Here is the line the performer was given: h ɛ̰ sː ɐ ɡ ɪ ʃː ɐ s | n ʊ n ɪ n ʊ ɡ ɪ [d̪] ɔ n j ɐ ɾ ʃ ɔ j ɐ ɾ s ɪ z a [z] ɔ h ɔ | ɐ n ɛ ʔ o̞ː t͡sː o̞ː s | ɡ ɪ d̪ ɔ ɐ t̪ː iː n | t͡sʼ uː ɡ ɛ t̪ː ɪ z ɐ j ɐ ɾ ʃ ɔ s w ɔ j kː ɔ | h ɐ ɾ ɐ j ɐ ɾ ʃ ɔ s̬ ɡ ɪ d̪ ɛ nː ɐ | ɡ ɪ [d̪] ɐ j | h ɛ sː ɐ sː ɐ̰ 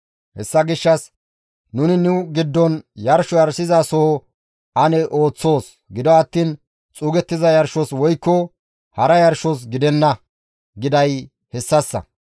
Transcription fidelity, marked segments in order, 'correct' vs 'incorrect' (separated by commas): incorrect, incorrect, correct